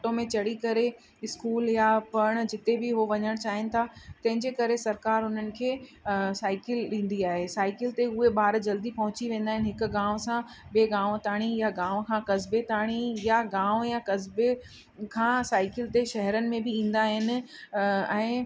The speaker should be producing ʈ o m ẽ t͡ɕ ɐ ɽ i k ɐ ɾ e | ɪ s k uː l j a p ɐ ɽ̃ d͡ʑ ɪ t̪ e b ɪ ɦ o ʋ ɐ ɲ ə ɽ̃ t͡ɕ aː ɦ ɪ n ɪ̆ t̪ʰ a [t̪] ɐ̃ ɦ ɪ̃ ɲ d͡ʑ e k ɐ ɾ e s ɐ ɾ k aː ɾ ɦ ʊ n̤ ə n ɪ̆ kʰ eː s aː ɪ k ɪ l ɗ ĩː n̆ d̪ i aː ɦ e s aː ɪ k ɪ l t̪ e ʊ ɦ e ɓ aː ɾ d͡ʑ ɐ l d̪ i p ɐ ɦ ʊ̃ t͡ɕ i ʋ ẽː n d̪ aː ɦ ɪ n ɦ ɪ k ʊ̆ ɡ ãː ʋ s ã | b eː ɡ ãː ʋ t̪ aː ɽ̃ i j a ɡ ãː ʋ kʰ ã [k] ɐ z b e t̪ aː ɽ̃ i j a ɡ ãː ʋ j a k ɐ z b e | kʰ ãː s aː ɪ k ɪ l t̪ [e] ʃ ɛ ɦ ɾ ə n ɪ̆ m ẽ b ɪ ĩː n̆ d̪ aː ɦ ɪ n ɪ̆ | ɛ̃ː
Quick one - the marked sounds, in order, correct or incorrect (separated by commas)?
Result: correct, correct, correct